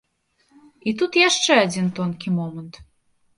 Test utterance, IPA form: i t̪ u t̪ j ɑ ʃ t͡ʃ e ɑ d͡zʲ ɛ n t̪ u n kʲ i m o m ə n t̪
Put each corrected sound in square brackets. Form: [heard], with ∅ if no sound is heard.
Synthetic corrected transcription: i t̪ u t̪ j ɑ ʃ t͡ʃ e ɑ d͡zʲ [i] n t̪ [o] n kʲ i m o m ə n t̪

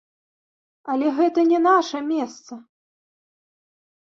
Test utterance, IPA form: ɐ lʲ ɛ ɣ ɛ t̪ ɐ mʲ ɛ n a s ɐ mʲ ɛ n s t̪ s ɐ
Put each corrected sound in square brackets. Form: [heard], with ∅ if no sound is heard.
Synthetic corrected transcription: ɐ lʲ ɛ ɣ ɛ t̪ ɐ [nʲ] ɛ n a [ʂ] ɐ mʲ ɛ [∅] s t̪ s ɐ

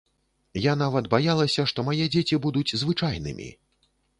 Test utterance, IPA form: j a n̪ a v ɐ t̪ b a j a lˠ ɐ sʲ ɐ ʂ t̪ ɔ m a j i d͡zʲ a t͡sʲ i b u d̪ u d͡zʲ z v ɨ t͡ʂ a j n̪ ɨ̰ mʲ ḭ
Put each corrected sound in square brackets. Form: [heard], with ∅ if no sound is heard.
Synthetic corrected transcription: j a n̪ a v ɐ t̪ b a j a lˠ ɐ sʲ ɐ ʂ t̪ ɔ m a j [ɛ] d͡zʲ [e] t͡sʲ i b u d̪ u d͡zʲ z v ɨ t͡ʂ a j n̪ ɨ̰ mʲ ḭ

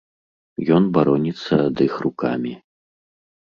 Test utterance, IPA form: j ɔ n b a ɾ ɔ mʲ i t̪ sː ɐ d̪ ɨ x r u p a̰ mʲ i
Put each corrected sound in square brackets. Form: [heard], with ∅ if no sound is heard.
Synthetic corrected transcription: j ɔ n b a ɾ ɔ [nʲ] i t̪ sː ɐ d̪ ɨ x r u [k] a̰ mʲ i

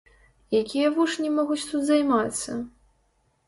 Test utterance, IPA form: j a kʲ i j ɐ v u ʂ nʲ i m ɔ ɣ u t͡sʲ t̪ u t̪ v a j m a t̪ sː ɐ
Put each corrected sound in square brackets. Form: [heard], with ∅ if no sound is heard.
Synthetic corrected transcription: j a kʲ i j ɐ v u ʂ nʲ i m ɔ ɣ u t͡sʲ t̪ u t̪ [z] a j m a t̪ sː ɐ

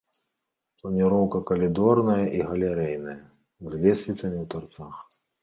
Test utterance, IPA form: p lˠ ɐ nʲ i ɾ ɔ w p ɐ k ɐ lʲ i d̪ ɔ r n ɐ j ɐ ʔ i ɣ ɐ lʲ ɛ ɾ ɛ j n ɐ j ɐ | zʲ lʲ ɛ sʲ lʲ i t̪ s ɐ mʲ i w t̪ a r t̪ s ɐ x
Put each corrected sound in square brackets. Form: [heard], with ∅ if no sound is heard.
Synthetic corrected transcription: p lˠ ɐ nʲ i ɾ ɔ w [k] ɐ k ɐ lʲ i d̪ ɔ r n ɐ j ɐ ʔ i ɣ ɐ lʲ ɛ ɾ ɛ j n ɐ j ɐ | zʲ lʲ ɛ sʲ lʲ i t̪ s ɐ mʲ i w t̪ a r t̪ s [a] x

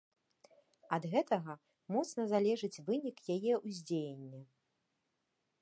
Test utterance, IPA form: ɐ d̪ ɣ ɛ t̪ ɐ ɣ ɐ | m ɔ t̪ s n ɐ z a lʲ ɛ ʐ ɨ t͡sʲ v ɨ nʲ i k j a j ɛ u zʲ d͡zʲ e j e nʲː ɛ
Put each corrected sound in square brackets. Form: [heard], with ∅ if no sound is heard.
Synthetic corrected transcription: ɐ d̪ ɣ ɛ t̪ ɐ ɣ ɐ | m ɔ t̪ s n ɐ z a lʲ ɛ ʐ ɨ t͡sʲ v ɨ nʲ i k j a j ɛ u zʲ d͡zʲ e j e nʲː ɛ

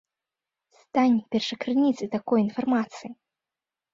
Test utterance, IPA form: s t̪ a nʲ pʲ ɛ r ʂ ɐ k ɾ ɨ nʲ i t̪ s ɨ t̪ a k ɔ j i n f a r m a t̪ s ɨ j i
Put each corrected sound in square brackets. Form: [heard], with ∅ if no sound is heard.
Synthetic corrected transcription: s t̪ a nʲ pʲ ɛ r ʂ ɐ k ɾ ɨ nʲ i t̪ s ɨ t̪ a k ɔ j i n f a r m a t̪ s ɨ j i

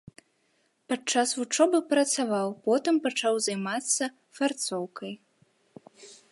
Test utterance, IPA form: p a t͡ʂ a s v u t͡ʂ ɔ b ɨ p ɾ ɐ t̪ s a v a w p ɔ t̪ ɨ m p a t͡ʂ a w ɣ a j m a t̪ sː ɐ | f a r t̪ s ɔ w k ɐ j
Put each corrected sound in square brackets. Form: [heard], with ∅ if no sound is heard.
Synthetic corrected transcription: p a t͡ʂ a s v u t͡ʂ ɔ b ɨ p ɾ ɐ t̪ s a v a w p ɔ t̪ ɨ m p a t͡ʂ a w [z] a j m a t̪ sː ɐ | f a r t̪ s ɔ w k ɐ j

